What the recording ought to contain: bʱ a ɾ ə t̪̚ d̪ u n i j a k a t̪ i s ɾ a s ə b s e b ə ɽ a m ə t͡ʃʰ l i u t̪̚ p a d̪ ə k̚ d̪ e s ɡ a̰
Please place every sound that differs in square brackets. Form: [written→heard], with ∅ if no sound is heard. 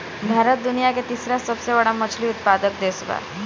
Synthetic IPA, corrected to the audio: bʱ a ɾ ə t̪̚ d̪ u n i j a k [a→e] t̪ i s ɾ a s ə b s e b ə ɽ a m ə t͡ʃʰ l i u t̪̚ p a d̪ ə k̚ d̪ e s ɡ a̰